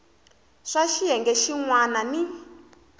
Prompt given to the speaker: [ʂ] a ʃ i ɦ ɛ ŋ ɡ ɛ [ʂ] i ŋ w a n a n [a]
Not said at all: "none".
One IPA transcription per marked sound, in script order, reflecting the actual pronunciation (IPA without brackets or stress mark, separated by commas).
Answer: ʂ, ʃ, i